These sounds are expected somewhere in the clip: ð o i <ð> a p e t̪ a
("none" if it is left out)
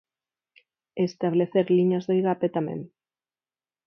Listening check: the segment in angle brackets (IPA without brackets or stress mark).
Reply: ɣ